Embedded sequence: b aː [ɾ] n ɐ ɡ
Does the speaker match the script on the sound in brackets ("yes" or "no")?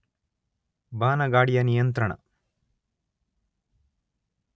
no